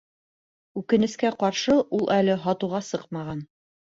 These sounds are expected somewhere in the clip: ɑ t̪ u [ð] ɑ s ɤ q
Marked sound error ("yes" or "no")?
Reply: yes